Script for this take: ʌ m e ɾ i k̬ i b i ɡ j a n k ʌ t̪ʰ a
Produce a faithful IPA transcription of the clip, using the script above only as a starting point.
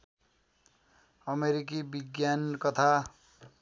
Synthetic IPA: ʌ m e ɾ i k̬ i b i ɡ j a n k ʌ t̪ʰ a